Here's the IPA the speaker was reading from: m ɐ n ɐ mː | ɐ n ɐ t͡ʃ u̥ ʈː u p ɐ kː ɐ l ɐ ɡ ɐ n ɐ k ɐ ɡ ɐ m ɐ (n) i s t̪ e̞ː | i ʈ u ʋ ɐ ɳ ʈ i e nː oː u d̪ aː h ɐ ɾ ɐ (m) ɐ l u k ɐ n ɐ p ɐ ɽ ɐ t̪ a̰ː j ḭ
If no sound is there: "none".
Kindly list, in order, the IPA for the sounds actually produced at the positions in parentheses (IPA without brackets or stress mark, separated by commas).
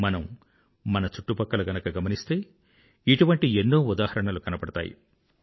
n, ɳ